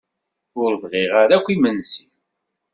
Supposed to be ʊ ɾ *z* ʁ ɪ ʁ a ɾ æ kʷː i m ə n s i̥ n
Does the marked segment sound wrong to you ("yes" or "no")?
yes